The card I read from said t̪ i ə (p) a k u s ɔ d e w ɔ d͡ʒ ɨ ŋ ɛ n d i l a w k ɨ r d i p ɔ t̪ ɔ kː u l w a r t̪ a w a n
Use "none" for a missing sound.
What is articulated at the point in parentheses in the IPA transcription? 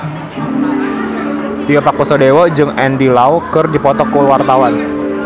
p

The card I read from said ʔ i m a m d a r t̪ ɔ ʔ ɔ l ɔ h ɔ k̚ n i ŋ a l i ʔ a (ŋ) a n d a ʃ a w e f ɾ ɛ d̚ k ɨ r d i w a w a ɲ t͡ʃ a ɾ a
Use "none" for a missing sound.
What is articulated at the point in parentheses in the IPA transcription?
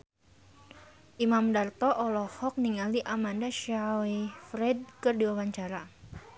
m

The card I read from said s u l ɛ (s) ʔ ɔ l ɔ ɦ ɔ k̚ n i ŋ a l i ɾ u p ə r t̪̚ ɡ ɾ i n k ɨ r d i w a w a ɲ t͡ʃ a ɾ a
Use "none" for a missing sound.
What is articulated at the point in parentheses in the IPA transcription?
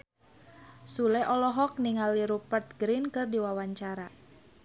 none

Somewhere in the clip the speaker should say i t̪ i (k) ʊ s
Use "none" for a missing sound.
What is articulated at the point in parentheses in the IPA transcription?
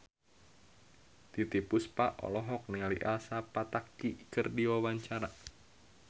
p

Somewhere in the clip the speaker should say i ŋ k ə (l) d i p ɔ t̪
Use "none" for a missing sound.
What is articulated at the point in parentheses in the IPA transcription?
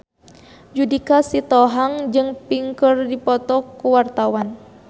r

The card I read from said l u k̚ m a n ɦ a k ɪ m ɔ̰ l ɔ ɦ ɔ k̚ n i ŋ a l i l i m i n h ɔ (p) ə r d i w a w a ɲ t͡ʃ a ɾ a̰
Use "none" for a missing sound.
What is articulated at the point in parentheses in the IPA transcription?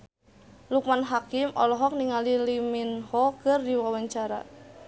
k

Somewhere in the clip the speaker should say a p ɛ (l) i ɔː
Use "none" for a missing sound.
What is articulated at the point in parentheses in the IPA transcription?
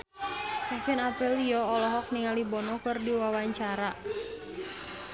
l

